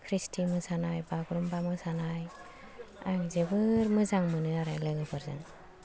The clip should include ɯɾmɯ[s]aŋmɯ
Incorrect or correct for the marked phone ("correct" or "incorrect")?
incorrect